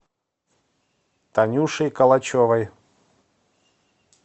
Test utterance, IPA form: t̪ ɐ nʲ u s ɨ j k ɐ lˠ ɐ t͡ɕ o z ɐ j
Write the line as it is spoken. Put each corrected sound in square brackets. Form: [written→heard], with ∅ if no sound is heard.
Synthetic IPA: t̪ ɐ nʲ u [s→ʂ] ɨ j k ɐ lˠ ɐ t͡ɕ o [z→v] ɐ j